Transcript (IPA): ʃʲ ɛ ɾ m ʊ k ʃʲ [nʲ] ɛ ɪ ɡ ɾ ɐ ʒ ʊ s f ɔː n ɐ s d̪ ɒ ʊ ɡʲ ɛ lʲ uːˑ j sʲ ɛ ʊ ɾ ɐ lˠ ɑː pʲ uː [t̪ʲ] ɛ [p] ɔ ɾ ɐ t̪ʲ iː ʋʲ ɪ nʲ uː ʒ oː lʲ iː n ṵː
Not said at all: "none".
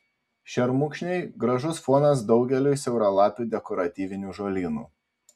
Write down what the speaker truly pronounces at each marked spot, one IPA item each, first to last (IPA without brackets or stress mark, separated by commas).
nʲ, d̪ʲ, k